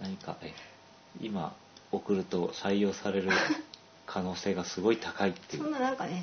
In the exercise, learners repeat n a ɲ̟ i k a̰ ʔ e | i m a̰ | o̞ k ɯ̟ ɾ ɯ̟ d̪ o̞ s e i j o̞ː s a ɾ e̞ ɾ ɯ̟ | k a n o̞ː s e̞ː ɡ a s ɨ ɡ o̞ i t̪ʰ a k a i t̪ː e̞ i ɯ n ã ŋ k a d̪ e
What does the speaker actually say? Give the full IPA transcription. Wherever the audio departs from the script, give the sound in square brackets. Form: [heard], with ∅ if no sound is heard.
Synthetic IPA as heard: n a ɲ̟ i k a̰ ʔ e | i m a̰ | o̞ k ɯ̟ ɾ ɯ̟ [t̪] o̞ s [a] i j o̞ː s a ɾ e̞ ɾ ɯ̟ | [kʰ] a n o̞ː s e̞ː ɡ a s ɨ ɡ o̞ i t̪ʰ a k a i t̪ː e̞ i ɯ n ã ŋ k a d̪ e